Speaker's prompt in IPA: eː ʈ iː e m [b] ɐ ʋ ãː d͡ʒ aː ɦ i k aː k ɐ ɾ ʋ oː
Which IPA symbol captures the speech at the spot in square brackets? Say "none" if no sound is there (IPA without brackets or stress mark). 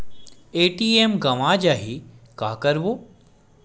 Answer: ɡ